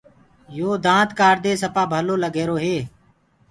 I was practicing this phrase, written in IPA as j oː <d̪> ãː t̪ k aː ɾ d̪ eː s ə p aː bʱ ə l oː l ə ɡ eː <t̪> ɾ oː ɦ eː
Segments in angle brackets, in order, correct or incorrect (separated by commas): correct, incorrect